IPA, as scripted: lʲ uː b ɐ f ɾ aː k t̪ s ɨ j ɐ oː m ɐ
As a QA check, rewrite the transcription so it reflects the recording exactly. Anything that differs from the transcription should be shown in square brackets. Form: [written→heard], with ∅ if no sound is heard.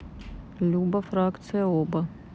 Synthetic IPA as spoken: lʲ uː b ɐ f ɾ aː k t̪ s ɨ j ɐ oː [m→b] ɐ